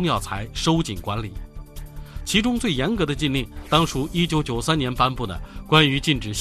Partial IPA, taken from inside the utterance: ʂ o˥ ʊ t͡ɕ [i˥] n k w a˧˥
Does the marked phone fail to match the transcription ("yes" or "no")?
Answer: yes